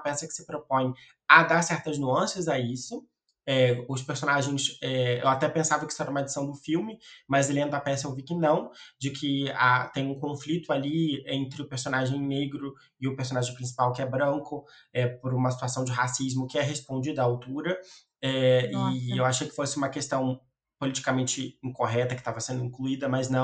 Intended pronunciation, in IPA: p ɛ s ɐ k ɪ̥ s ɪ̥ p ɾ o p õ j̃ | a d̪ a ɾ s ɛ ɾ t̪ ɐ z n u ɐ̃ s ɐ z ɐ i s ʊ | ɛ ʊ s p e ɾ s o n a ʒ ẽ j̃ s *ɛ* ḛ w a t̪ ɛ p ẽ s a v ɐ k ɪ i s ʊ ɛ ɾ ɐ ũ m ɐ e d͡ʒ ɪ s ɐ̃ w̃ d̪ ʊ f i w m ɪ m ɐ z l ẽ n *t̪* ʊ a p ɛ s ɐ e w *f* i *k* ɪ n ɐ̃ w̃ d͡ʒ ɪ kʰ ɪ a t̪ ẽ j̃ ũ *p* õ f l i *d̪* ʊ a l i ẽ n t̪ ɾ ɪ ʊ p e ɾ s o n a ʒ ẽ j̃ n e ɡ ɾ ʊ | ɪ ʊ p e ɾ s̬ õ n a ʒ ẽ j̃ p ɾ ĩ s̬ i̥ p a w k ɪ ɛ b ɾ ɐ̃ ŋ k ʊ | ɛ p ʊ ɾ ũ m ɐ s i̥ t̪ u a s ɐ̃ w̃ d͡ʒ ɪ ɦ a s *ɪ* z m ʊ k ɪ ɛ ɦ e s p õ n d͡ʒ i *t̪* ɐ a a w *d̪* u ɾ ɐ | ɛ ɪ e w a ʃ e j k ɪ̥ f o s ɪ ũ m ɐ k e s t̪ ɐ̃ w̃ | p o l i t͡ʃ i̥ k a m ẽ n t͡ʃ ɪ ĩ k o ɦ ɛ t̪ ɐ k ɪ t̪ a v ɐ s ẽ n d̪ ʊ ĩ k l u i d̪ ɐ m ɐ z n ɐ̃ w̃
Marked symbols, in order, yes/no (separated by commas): yes, no, no, yes, no, no, no, no, no